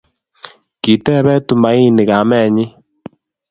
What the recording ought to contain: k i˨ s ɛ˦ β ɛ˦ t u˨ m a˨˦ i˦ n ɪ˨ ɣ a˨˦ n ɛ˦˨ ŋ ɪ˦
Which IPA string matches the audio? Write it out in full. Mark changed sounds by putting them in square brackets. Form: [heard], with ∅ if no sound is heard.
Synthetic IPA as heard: k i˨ [t] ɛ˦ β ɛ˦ t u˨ m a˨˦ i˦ n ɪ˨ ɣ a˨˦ [m] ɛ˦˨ [ɲ] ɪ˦

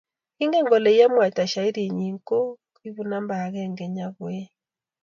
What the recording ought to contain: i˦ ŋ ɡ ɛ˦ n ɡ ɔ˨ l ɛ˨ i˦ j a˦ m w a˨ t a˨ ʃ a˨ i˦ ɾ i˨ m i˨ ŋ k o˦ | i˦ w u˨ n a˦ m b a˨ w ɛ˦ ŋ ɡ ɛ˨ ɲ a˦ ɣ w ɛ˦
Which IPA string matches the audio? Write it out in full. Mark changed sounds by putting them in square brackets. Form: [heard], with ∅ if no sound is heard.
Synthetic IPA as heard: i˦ ŋ ɡ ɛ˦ [ŋ] ɡ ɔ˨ l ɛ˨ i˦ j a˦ m w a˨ t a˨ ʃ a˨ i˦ ɾ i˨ [ɲ] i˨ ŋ k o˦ | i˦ [β] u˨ n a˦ m b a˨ [ɣ] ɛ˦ ŋ ɡ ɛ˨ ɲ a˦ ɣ w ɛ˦

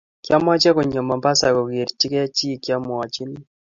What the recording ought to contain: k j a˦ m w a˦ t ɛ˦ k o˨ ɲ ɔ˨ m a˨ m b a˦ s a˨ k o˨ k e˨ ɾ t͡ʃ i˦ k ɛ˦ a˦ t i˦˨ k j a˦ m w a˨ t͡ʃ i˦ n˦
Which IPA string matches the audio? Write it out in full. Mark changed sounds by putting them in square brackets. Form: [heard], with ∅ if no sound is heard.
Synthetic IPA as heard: k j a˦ m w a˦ [t͡ʃ] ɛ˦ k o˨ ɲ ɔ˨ m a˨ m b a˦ s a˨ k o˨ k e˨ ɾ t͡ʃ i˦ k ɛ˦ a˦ [t͡ʃ] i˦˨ k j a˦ m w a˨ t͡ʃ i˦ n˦

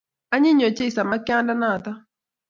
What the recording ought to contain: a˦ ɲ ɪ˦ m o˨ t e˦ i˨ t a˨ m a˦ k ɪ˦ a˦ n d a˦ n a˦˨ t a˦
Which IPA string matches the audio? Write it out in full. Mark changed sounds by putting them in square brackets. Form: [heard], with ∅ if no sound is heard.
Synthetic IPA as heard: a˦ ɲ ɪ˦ [ɲ] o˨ [t͡ʃ] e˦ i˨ [s] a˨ m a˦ k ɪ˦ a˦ n d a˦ n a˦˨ t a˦

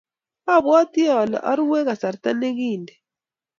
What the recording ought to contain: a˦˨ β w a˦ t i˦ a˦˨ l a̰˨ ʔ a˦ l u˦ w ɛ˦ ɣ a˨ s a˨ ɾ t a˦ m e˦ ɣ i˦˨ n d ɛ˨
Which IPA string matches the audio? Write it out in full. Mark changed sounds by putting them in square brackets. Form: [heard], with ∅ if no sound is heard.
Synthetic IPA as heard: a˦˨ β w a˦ t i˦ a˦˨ l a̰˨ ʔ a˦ [ɾ] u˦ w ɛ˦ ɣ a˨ s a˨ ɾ t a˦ [n] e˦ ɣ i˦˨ n d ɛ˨

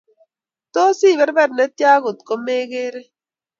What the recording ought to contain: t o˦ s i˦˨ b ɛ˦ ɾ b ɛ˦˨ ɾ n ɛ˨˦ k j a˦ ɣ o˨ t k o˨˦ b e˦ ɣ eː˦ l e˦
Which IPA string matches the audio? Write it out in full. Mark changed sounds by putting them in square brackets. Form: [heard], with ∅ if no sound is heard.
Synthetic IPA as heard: t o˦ s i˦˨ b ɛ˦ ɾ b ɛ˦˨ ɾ n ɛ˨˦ [t] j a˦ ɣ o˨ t k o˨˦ [m] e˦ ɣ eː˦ [ɾ] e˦

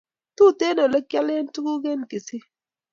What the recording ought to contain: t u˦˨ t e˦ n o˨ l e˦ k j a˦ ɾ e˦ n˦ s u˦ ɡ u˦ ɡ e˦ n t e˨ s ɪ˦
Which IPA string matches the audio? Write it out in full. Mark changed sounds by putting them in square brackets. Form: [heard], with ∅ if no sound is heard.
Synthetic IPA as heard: t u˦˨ t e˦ n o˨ l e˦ k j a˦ [l] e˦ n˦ [t] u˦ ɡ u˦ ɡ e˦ n [k] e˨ s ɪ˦

